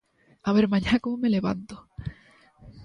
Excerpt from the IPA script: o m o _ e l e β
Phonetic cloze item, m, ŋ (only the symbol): m